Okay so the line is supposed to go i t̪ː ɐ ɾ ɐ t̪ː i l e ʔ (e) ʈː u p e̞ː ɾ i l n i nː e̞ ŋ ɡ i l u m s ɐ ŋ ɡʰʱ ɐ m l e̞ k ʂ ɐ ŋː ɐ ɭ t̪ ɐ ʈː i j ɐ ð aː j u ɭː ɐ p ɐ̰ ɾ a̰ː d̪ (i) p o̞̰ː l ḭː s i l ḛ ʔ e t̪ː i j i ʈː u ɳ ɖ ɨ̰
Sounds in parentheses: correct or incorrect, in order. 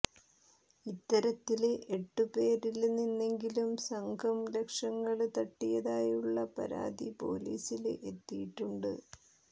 correct, correct

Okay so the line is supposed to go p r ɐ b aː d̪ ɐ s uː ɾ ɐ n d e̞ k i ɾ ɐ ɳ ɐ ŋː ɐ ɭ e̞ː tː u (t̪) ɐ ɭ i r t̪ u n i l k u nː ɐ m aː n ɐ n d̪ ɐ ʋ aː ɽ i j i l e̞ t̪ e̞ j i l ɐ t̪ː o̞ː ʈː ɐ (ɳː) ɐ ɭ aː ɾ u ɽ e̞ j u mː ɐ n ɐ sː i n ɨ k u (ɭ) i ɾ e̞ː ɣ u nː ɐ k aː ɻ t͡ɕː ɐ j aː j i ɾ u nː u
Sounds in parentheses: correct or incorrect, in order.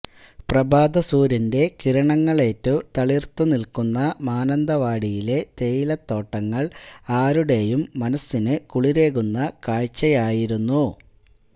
correct, incorrect: ŋː, correct

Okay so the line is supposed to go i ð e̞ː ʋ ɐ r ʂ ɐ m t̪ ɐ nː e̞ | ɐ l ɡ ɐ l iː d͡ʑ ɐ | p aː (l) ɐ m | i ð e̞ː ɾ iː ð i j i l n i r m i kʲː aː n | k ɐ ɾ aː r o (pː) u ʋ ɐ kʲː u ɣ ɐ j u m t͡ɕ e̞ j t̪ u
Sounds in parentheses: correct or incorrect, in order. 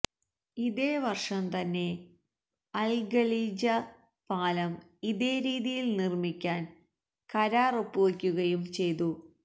correct, correct

